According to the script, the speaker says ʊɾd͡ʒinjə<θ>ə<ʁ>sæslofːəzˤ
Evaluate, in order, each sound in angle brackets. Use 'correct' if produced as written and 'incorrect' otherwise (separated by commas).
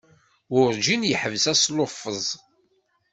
incorrect, incorrect